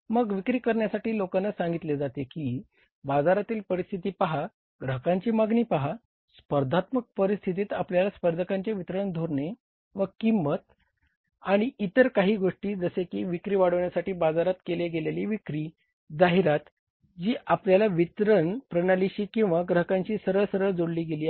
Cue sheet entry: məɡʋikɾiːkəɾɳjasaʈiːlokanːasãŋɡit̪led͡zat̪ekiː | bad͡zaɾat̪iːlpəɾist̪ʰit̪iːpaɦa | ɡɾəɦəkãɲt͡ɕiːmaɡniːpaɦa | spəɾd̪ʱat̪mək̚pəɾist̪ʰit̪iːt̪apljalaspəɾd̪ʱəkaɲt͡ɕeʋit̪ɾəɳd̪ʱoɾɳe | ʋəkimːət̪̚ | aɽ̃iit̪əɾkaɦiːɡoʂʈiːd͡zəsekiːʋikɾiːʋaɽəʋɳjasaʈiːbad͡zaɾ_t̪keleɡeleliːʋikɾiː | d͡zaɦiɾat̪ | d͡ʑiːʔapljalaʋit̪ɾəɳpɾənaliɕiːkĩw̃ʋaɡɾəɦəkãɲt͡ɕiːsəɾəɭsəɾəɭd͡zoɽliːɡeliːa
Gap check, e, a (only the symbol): a